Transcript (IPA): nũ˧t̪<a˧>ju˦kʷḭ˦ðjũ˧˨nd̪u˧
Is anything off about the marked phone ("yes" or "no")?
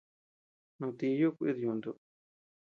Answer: yes